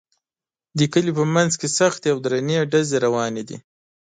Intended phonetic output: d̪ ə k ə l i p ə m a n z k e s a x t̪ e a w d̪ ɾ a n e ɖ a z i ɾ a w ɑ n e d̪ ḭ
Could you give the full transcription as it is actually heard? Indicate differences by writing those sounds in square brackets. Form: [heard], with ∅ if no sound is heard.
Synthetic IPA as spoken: d̪ ə k ə l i p ə m a n z k e s a x t̪ e a w d̪ ɾ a n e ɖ a z [e] ɾ a w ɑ n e d̪ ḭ

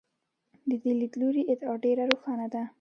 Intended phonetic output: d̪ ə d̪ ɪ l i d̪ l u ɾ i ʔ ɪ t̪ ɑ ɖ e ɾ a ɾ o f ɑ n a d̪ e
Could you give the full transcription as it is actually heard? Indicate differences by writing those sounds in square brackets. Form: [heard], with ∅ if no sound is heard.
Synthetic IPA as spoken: d̪ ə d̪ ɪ l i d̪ l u ɾ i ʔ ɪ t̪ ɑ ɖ e ɾ a ɾ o [x] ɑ n a d̪ [a]

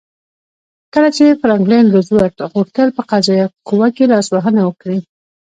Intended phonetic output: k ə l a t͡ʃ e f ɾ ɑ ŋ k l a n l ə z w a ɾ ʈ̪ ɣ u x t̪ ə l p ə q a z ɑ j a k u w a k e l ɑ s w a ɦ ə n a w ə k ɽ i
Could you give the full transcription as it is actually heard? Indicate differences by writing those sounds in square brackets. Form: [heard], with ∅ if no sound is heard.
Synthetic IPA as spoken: k ə l a t͡ʃ e f ɾ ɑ ŋ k l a n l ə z w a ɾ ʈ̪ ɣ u x t̪ ə l p ə q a z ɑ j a k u w a k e l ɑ s w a ɦ ə n a w ə k ɽ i

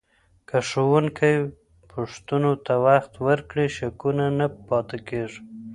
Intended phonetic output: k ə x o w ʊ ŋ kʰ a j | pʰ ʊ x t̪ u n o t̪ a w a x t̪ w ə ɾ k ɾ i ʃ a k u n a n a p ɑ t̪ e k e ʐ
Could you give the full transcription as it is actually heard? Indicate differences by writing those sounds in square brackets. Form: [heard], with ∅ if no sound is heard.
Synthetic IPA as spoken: k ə [ʂ] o w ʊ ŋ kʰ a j | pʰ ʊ [ʂ] t̪ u n o t̪ a w a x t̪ w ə ɾ k [ɽ] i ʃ a k u n a n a p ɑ t̪ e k e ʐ

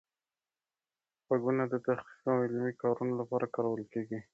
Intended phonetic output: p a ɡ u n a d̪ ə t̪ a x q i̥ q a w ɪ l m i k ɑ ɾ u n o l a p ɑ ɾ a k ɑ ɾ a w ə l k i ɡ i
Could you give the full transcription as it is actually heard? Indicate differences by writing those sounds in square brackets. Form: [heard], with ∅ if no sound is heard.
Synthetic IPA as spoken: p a ɡ u n a d̪ ə t̪ a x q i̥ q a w ɪ l m i k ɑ ɾ u n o l a p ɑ ɾ a k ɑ ɾ a w ə l k [e] ɡ i

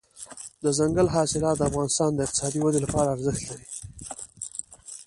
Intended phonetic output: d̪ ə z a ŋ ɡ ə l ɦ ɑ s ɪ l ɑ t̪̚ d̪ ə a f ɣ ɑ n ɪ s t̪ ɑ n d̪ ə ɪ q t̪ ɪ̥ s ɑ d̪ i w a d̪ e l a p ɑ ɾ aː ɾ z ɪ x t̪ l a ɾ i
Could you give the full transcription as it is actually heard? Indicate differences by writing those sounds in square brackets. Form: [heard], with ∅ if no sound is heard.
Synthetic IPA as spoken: d̪ ə z a ŋ ɡ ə l ɦ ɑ s ɪ l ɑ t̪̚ d̪ ə a f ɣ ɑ n ɪ s t̪ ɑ n d̪ ə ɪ q t̪ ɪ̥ s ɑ d̪ i w a d̪ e l a p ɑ ɾ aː ɾ z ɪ x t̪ l a ɾ i

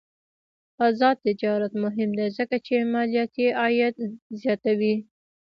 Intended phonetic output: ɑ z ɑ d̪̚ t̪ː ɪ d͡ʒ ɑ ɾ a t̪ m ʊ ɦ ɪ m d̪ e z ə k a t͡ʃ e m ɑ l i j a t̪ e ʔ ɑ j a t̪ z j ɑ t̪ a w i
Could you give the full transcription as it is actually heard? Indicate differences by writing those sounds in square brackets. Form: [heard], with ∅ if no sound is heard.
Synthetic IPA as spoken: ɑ z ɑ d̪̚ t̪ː ɪ d͡ʒ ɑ ɾ a t̪ m ʊ ɦ ɪ m d̪ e z ə k a t͡ʃ e m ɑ l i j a t̪ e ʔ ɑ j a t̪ z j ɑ t̪ a w i

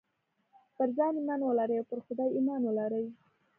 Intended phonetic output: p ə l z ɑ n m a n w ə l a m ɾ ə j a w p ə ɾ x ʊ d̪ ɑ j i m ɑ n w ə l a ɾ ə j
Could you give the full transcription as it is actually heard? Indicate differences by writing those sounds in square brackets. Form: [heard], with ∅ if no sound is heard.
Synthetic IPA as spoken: p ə [ɾ] z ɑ n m a n w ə l a [∅] ɾ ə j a w p ə ɾ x ʊ d̪ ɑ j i m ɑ n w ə l a ɾ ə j

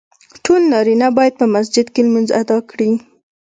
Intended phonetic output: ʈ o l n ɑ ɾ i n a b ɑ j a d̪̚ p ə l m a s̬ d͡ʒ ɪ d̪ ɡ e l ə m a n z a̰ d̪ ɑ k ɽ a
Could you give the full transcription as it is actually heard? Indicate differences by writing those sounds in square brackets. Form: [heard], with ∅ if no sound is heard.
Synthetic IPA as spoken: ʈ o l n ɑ ɾ i n a b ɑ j a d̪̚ p ə [∅] m a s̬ d͡ʒ ɪ d̪ [k] e l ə m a n z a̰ d̪ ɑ k ɽ [i]

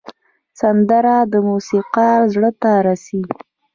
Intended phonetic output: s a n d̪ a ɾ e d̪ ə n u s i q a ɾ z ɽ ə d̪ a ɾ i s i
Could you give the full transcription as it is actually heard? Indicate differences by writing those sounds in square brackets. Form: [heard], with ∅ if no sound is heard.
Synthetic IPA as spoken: s a n d̪ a ɾ [a] d̪ ə [m] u s i q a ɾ z ɽ ə [t̪] a ɾ [a] s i

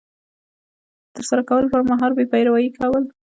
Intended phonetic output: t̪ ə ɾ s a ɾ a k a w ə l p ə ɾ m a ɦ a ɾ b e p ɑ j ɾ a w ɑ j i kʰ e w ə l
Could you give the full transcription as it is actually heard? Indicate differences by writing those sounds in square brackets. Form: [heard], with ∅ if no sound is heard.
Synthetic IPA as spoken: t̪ ə ɾ s a ɾ a k a w ə l p ə ɾ m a ɦ [ɑ] ɾ b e p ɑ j ɾ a w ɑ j i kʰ [a] w ə l

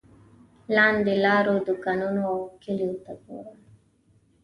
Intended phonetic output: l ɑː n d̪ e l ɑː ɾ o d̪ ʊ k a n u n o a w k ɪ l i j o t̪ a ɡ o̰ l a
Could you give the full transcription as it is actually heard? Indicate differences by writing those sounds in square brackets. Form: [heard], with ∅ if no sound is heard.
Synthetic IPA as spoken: l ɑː n d̪ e l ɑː ɾ o d̪ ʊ k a n u n o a w k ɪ l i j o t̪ a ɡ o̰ [ɾ] a

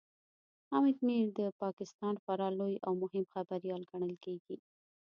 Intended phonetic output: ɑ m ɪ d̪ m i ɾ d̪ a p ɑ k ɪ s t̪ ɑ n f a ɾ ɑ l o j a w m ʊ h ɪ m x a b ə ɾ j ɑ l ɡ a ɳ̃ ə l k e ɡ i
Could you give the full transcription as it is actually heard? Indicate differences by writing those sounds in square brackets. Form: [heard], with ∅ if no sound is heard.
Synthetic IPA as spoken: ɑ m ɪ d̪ m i ɾ d̪ [ə] p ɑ k ɪ s t̪ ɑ n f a ɾ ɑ l o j a w m ʊ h ɪ m x a b [a] ɾ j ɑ l ɡ a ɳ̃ ə l k e ɡ i

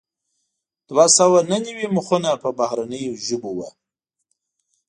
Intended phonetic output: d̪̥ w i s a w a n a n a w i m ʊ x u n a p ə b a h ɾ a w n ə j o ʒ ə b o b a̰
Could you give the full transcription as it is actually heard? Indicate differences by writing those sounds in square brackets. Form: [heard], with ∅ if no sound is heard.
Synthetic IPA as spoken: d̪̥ w [a] s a w a n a n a w i m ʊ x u n a p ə b a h ɾ a [∅] n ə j o ʒ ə b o [w] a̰

